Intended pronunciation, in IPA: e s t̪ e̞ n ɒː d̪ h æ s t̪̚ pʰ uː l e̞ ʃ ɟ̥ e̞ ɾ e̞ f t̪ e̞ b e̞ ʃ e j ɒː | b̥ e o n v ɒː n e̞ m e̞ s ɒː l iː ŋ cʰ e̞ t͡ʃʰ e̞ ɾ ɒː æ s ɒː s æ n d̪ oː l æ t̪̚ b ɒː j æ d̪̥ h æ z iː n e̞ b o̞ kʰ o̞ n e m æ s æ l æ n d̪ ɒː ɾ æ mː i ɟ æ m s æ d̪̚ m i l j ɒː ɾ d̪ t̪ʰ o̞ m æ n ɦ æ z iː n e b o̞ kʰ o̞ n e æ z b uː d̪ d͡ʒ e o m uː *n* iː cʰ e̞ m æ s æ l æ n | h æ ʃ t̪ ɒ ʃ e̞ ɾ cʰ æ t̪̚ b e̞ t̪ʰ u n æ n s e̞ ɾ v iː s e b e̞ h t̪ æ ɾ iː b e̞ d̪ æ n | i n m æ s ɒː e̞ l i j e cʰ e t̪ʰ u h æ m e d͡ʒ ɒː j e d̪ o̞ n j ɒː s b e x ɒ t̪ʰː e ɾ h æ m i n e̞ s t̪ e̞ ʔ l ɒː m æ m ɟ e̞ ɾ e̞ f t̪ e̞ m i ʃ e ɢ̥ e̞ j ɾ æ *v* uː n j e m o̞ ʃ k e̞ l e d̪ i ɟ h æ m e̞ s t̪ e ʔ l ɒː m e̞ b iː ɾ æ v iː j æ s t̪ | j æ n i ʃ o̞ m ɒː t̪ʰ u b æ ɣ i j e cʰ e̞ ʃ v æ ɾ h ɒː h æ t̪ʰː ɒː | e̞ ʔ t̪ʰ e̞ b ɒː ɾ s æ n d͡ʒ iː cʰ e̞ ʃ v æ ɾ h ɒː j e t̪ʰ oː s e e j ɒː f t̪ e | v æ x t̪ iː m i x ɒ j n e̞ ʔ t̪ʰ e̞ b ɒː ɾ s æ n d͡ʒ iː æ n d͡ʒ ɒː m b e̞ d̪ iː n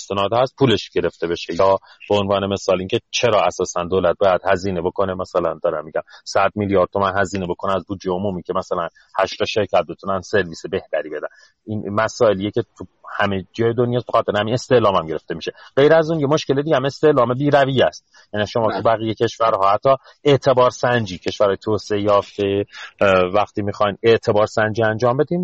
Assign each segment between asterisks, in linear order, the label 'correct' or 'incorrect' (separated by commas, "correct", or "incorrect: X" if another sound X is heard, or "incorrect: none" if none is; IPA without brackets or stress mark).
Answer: incorrect: m, incorrect: z